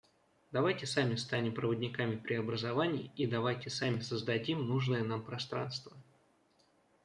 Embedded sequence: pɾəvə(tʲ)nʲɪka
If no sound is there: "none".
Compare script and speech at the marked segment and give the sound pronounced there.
dʲ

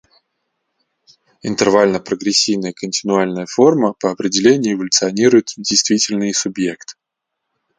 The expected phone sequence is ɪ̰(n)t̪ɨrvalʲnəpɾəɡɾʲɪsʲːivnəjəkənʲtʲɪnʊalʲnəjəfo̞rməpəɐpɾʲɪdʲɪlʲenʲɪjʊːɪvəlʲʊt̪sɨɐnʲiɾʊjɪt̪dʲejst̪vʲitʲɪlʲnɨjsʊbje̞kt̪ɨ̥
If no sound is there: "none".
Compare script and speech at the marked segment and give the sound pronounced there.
n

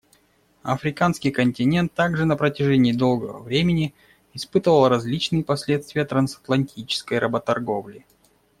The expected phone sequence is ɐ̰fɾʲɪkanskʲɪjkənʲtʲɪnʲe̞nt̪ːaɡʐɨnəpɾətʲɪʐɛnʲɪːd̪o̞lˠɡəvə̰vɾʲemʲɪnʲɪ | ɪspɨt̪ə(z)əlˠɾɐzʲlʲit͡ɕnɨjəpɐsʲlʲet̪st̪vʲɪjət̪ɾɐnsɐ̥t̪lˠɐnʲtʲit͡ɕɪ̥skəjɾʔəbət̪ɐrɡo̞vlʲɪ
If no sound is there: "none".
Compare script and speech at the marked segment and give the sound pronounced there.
v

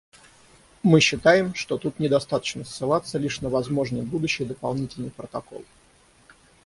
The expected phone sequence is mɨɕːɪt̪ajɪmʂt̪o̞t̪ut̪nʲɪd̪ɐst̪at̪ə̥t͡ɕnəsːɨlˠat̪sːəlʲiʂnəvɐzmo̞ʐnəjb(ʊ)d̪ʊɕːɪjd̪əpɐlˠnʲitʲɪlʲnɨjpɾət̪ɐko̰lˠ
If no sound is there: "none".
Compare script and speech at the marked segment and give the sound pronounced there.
u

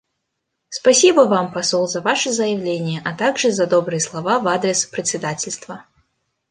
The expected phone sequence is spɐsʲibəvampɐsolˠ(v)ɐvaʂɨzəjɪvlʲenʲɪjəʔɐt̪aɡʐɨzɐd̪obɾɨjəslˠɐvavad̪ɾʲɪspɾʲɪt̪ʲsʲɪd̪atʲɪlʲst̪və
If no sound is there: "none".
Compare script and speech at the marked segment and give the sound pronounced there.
z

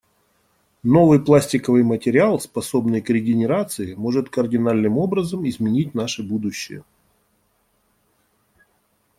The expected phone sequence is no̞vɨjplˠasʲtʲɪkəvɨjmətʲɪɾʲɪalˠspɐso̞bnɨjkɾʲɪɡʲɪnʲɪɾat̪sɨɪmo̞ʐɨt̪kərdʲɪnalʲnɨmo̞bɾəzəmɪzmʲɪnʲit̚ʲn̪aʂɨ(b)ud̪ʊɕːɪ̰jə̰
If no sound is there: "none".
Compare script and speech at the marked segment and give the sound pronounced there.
b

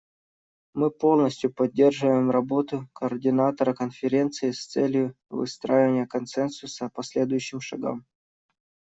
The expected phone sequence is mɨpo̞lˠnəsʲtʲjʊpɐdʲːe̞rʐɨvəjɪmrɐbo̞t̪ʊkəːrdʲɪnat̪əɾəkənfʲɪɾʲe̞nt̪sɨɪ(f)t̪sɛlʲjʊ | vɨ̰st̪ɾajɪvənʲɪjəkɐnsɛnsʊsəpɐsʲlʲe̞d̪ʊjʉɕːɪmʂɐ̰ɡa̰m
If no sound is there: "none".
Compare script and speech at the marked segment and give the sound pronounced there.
s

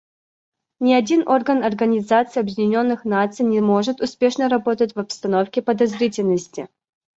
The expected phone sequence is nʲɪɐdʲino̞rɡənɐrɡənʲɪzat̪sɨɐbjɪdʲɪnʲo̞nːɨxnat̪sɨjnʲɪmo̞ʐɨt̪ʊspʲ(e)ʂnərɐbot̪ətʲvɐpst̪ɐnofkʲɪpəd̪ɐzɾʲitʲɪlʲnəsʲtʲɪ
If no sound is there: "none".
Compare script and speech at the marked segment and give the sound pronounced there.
e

